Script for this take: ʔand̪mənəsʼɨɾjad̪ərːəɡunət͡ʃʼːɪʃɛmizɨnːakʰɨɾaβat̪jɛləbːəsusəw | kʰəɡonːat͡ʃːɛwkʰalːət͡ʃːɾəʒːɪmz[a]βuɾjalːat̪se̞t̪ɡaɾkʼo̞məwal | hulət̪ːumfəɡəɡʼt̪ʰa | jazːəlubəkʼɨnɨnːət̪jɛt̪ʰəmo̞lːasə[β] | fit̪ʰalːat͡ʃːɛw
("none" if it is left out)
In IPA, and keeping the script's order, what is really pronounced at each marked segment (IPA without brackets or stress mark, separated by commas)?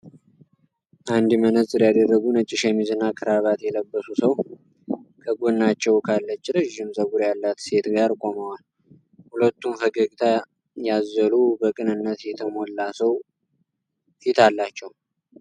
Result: ə, w